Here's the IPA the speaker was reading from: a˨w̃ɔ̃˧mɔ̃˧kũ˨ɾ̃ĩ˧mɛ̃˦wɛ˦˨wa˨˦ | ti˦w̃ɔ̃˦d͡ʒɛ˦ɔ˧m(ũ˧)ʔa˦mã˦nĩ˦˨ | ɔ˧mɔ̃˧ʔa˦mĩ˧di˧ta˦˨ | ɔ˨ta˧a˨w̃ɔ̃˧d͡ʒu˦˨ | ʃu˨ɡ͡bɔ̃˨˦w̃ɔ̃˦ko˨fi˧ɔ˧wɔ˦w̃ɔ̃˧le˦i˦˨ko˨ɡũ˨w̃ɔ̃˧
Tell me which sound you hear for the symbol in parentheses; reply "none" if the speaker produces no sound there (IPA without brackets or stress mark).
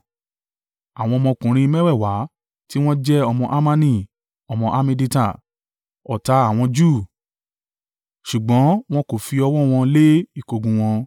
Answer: ɔ̃˧